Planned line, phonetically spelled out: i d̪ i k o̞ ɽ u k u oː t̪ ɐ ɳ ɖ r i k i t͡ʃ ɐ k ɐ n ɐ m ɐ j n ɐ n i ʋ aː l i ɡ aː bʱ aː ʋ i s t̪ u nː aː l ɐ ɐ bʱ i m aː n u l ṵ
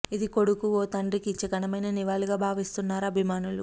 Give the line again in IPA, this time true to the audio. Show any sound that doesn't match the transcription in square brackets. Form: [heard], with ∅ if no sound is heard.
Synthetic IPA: i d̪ i k o̞ ɽ u k u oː t̪ ɐ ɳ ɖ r i k i t͡ʃ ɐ k ɐ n ɐ m ɐ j n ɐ n i ʋ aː l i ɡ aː bʱ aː ʋ i s t̪ u nː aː [ɾ] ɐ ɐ bʱ i m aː n u l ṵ